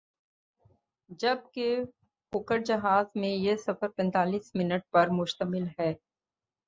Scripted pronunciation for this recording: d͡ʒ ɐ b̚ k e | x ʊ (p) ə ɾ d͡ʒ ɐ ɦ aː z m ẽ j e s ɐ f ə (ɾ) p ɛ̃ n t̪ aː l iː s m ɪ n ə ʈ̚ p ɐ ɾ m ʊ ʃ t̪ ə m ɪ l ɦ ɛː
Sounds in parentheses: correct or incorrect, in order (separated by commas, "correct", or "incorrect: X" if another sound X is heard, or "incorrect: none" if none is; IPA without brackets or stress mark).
incorrect: k, correct